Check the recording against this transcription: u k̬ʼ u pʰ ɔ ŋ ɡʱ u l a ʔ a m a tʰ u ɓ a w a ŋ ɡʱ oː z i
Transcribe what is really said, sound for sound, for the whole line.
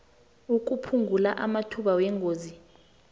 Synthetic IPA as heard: u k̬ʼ u pʰ u ŋ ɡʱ u l a ʔ a m a tʰ u ɓ a w ɛ ŋ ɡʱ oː z i